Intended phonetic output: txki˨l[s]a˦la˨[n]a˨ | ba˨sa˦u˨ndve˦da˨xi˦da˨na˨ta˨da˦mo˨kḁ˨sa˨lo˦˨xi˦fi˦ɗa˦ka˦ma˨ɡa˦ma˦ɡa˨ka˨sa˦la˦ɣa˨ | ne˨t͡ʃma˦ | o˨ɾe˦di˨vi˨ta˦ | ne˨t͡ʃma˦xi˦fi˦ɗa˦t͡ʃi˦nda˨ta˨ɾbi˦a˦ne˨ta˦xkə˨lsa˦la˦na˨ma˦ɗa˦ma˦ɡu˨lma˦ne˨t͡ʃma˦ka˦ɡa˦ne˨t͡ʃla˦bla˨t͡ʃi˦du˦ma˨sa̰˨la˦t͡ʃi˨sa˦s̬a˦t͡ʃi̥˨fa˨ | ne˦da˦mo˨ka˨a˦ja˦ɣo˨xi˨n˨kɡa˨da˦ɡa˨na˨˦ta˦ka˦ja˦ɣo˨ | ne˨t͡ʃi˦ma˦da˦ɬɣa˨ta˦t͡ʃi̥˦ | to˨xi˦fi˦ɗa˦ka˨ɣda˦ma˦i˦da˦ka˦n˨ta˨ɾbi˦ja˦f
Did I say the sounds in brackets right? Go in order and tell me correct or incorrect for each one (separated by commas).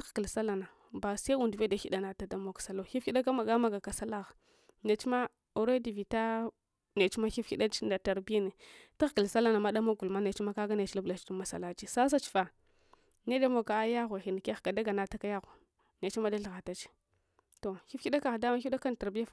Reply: correct, correct